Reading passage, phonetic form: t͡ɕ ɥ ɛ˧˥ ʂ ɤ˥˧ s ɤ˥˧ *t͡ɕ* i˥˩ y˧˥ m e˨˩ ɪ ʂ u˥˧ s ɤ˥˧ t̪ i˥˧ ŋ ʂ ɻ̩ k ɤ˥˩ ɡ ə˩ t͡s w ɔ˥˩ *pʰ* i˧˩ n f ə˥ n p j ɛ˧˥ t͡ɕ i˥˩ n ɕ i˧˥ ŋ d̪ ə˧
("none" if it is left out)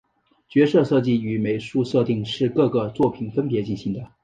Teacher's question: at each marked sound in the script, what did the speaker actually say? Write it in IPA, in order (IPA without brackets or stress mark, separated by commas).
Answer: t͡ɕ, pʰ